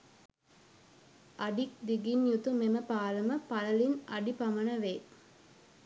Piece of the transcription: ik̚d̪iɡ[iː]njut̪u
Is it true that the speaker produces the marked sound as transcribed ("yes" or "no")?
no